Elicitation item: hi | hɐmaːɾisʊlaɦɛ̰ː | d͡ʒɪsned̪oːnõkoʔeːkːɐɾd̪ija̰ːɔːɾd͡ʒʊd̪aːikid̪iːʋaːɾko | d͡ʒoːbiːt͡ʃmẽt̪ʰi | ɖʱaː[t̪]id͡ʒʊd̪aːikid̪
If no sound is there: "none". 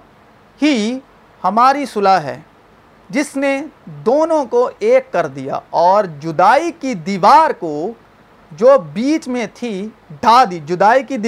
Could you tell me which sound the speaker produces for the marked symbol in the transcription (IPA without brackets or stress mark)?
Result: d̪